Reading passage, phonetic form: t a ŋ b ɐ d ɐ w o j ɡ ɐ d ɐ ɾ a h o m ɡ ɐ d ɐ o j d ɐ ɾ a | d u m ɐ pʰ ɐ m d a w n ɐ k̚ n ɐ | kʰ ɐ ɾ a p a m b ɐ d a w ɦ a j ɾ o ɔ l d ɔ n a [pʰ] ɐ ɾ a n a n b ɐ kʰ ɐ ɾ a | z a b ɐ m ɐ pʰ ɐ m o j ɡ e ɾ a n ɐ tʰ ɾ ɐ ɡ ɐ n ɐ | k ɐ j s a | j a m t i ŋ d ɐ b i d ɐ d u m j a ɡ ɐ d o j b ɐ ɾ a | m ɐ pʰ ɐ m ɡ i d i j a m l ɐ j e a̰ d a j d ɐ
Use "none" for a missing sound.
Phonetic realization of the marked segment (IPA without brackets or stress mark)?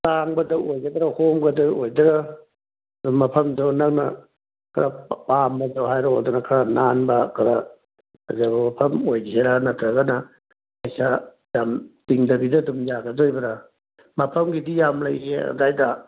kʰ